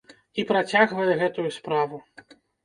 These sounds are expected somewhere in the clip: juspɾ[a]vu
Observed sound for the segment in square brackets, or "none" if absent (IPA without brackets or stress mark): a